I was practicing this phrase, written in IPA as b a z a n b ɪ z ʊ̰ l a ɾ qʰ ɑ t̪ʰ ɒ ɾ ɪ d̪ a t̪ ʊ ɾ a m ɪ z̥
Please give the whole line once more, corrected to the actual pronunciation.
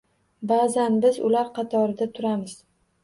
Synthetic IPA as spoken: b a z a n b ɪ z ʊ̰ l a ɾ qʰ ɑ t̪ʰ ɒ ɾ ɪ d̪ a t̪ʰ ʊ ɾ a m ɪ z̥